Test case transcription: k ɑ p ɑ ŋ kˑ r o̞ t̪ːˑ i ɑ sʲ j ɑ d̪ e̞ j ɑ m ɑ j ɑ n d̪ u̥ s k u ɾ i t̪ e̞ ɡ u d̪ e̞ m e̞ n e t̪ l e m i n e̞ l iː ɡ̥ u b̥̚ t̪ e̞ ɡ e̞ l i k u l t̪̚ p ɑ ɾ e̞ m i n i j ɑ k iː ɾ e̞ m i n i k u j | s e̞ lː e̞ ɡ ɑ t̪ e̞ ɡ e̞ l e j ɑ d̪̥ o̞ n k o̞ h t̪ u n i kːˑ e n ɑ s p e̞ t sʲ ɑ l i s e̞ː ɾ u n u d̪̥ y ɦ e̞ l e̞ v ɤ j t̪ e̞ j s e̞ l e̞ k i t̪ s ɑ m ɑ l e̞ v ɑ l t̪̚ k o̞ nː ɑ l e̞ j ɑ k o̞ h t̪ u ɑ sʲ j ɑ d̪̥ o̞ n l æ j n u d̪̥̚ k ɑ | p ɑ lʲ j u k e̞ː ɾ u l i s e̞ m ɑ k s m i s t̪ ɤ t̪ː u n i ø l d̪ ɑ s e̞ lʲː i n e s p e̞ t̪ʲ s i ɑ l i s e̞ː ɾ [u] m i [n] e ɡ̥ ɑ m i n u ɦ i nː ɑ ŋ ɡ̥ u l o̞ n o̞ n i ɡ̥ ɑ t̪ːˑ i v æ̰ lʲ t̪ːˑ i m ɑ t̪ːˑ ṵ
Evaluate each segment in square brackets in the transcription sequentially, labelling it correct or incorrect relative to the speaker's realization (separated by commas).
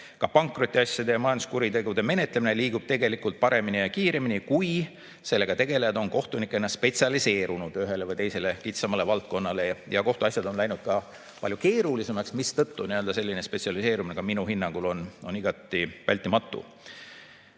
correct, correct